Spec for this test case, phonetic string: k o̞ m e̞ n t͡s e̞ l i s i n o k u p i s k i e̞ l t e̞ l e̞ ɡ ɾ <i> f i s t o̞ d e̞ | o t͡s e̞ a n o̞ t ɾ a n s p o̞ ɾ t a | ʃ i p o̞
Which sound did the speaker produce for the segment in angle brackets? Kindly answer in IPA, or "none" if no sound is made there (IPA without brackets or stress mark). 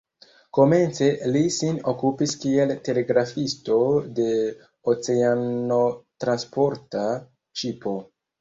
a